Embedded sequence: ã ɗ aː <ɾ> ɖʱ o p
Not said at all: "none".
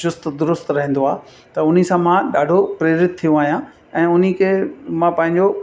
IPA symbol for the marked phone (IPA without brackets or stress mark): none